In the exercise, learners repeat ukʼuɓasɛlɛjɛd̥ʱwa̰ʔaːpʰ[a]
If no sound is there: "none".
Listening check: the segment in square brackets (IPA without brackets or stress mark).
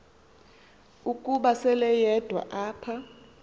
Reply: a